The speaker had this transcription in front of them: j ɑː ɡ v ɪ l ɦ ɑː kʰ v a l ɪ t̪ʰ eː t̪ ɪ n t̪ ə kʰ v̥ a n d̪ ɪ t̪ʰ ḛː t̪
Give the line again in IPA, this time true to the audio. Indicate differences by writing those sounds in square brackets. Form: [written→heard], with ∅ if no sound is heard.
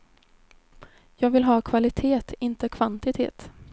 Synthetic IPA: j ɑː ɡ v ɪ l ɦ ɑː kʰ v a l ɪ t̪ʰ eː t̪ ɪ n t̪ ə kʰ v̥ a n [d̪→t̪] ɪ t̪ʰ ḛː t̪